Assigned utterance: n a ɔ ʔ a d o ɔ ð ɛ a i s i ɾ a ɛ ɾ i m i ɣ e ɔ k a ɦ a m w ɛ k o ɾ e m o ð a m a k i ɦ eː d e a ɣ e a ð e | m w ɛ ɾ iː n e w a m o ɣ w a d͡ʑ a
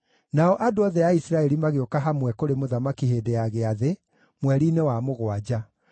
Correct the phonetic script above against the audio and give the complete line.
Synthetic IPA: n a ɔ ʔ a d o ɔ ð ɛ a i s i ɾ a ɛ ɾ i m a ɣ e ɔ k a ɦ a m w ɛ k o ɾ e m o ð a m a k i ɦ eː d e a ɣ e a ð e | m w ɛ ɾ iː n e w a m o ɣ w a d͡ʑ a